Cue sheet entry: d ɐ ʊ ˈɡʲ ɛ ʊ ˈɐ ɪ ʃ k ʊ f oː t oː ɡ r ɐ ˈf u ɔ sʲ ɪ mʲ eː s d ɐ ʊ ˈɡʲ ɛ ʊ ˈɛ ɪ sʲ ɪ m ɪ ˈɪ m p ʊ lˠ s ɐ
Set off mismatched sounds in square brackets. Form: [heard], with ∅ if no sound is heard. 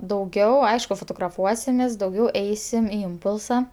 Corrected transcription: d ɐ ʊ ˈɡʲ ɛ ʊ ˈɐ ɪ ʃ k ʊ f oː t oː ɡ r ɐ ˈf u ɔ sʲ ɪ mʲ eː s d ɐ ʊ ˈɡʲ ɛ ʊ ˈɛ ɪ sʲ ɪ m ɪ ˈɪ m p ʊ lˠ s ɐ